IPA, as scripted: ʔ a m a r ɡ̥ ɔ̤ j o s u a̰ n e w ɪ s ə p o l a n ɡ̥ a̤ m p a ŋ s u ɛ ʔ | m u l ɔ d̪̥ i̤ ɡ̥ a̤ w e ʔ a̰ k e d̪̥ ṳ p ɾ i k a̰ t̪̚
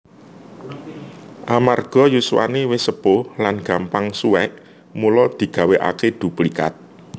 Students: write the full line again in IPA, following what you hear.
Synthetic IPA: ʔ a m a r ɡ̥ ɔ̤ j u s w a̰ n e w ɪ s ə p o l a n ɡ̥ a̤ m p a ŋ s u ɛ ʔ | m u l ɔ d̪̥ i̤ ɡ̥ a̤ w e ʔ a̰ k e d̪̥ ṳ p l i k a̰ t̪̚